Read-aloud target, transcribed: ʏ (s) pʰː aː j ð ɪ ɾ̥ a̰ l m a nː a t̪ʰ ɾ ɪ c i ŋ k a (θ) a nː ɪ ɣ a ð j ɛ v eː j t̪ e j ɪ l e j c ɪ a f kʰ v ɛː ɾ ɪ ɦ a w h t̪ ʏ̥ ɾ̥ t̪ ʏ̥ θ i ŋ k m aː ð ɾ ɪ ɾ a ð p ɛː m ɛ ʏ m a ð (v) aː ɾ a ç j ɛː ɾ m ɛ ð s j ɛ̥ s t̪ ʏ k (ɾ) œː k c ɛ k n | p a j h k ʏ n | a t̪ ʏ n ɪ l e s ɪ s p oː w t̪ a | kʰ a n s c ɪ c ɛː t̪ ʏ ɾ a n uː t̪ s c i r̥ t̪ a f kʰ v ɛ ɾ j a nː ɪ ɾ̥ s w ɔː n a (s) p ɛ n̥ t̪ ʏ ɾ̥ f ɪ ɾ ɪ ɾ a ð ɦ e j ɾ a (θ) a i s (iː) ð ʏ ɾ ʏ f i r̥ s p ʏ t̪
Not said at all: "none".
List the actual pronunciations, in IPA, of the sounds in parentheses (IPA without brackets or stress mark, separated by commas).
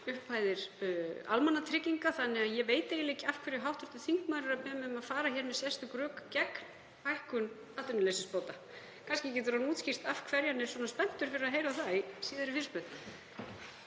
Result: h, θ, f, ɾ, s, θ, iː